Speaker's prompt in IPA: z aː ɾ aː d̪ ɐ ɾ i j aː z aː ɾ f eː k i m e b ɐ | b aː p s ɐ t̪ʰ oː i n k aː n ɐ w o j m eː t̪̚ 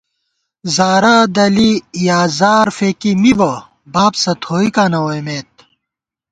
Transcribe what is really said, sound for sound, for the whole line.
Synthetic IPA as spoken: z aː ɾ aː d̪ ɐ l i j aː z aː ɾ f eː k i m i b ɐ | b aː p s ɐ t̪ʰ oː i k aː n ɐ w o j m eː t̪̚